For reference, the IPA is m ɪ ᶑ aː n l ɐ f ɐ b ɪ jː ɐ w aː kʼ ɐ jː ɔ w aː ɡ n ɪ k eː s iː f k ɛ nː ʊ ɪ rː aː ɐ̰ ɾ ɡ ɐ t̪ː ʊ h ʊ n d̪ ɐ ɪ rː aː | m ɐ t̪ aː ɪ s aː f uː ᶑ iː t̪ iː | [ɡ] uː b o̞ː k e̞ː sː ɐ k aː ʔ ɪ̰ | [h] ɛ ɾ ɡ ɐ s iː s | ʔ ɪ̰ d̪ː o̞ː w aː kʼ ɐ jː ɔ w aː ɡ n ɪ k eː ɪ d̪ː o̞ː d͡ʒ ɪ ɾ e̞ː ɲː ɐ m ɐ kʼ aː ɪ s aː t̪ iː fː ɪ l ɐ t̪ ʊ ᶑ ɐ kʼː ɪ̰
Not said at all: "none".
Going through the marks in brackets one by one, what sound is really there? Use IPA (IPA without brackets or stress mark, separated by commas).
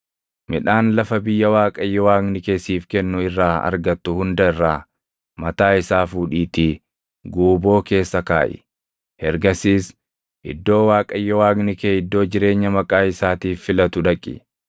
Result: ɡ, h